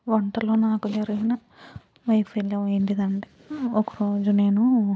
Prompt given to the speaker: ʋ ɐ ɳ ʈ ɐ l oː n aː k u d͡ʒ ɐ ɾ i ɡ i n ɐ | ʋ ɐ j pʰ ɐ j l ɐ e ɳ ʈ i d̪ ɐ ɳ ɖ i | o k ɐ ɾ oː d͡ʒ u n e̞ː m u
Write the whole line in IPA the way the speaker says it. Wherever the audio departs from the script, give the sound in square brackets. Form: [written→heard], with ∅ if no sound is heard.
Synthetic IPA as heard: ʋ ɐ ɳ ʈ ɐ l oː n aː k u d͡ʒ ɐ ɾ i ɡ i n ɐ | ʋ ɐ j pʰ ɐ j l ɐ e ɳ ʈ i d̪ ɐ ɳ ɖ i | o k ɐ ɾ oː d͡ʒ u n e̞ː [m→n] u